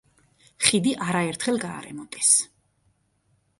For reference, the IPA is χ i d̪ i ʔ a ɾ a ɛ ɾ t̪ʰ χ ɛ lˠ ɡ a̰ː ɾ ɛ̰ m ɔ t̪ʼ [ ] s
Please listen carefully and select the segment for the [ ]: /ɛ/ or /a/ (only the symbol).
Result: ɛ